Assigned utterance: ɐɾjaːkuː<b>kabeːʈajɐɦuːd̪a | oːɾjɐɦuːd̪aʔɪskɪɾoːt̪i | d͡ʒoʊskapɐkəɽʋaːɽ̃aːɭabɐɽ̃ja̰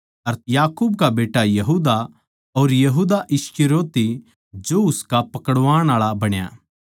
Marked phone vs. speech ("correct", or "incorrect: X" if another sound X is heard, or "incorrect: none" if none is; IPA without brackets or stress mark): correct